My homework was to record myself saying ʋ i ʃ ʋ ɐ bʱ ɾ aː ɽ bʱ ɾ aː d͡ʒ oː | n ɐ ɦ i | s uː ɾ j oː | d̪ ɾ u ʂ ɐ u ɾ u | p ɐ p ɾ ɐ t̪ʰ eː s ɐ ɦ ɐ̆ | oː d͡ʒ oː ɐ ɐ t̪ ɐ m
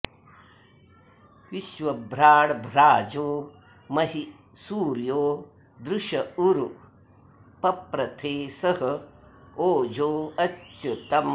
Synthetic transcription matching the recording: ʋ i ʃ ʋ ɐ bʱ ɾ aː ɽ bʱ ɾ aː d͡ʒ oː | m ɐ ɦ i | s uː ɾ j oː | d̪ ɾ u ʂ ɐ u ɾ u | p ɐ p ɾ ɐ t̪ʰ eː s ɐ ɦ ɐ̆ | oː d͡ʒ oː ɐ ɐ t̪ ɐ m

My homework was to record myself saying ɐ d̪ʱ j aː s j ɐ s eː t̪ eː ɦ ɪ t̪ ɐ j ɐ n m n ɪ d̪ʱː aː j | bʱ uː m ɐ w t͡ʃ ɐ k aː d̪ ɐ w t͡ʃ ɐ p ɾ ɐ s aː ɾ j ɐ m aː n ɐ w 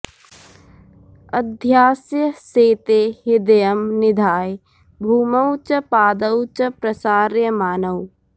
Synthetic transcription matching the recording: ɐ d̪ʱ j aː s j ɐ s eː t̪ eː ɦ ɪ d̪ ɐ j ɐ m n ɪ d̪ʱ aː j | bʱ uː m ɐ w t͡ʃ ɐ p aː d̪ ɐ w t͡ʃ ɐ p ɾ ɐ s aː ɾ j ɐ m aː n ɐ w

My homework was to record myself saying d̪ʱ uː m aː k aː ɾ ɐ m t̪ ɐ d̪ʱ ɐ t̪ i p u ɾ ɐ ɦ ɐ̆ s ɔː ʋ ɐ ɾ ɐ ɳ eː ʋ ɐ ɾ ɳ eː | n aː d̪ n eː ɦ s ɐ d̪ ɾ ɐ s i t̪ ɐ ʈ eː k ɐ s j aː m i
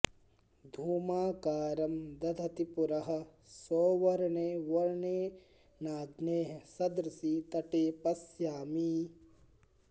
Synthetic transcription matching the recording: d̪ʱ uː m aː k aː ɾ ɐ m d̪ ɐ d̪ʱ ɐ t̪ i p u ɾ ɐ ɦ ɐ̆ s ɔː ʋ ɐ ɾ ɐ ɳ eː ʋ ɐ ɾ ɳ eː | n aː d̪ n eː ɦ s ɐ d̪ ɾ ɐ s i t̪ ɐ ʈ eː p ɐ s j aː m i

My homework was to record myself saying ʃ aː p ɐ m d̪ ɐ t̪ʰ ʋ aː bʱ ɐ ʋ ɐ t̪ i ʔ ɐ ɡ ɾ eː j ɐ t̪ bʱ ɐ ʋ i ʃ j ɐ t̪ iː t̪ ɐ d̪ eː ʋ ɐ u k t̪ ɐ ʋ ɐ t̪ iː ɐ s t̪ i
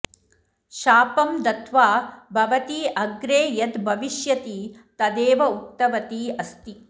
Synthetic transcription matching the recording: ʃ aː p ɐ m d̪ ɐ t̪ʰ ʋ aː bʱ ɐ ʋ ɐ t̪ i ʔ ɐ ɡ ɾ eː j ɐ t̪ bʱ ɐ ʋ i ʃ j ɐ t̪ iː t̪ ɐ d̪ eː ʋ ɐ u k t̪ ɐ ʋ ɐ t̪ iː ɐ s t̪ i

